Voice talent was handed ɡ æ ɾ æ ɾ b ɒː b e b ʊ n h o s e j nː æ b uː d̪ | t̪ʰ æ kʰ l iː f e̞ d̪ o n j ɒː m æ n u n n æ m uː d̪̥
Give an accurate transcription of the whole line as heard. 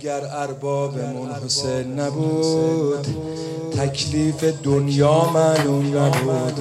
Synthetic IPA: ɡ æ ɾ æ ɾ b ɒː b e m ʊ n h o s e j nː æ b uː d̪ | t̪ʰ æ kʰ l iː f e̞ d̪ o n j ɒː m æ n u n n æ b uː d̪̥